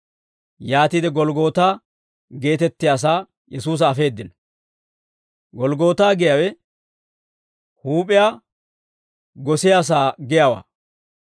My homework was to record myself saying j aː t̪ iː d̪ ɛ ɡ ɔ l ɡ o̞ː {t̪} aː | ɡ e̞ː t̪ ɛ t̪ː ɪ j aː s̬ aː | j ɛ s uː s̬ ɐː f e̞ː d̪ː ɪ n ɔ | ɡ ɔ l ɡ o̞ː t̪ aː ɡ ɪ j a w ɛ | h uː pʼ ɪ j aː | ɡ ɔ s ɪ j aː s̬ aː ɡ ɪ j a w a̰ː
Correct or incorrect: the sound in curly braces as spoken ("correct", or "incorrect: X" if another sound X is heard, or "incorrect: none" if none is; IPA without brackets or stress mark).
correct